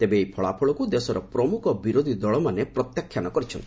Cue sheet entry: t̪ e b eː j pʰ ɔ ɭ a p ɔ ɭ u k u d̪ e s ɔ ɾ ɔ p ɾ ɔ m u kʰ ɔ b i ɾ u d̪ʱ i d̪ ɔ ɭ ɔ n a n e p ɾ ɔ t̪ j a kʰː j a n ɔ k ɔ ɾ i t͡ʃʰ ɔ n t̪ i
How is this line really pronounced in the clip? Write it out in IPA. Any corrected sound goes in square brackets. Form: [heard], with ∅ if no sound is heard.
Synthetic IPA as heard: t̪ e b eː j pʰ ɔ ɭ a [pʰ] ɔ ɭ [ɔ] k u d̪ e s ɔ ɾ ɔ p ɾ ɔ m u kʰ ɔ b i ɾ [o] d̪ʱ i d̪ ɔ ɭ ɔ [m] a n e p ɾ ɔ t̪ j a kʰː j a n ɔ k ɔ ɾ i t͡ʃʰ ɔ n t̪ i